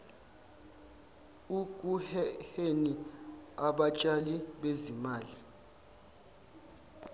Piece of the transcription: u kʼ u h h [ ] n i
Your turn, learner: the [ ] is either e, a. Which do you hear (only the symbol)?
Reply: e